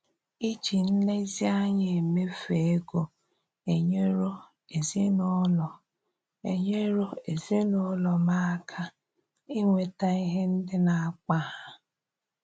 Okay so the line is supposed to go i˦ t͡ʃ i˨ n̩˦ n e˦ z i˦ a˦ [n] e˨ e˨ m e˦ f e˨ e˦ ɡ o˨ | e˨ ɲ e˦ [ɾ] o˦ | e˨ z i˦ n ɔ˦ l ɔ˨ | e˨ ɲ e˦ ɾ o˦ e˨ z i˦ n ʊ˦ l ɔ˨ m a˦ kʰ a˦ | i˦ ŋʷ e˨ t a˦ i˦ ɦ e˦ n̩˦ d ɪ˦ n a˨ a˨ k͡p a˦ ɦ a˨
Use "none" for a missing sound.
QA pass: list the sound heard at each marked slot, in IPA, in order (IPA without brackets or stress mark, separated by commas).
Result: ɲ, ɾ